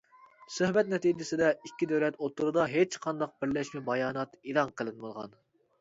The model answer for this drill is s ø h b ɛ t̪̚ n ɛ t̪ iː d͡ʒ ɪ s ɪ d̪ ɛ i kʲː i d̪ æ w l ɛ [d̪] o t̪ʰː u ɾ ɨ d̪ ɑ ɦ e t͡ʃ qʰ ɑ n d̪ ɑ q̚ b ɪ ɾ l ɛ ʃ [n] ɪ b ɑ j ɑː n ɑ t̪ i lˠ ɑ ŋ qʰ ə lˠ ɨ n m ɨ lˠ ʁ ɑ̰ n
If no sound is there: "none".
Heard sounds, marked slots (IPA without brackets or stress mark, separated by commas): t̪, m